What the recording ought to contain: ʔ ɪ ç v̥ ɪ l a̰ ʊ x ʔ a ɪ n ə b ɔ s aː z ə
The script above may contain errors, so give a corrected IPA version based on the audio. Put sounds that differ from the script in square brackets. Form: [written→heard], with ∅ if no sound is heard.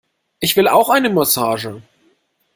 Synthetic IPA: ʔ ɪ ç v̥ ɪ l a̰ ʊ x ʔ a ɪ n ə [b→m] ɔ s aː [z→ʒ] ə